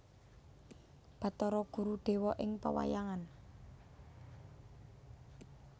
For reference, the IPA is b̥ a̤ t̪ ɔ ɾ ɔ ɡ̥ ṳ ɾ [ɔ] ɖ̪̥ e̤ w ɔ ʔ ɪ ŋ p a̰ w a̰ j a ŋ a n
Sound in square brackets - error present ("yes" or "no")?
yes